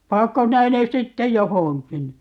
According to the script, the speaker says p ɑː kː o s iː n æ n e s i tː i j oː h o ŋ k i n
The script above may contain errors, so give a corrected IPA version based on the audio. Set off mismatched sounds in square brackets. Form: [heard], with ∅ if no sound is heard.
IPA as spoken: p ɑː kː o s [i] n æ n e s i tː [e] j [o] h o ŋ k i n